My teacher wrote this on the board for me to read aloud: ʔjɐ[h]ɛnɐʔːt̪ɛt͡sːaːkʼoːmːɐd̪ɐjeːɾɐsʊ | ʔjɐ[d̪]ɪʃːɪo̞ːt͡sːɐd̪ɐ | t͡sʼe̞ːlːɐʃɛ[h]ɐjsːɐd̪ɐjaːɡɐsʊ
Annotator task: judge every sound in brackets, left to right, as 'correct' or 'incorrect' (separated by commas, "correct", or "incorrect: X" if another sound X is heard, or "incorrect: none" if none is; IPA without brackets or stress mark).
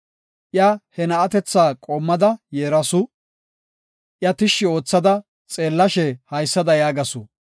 correct, incorrect: t̪, correct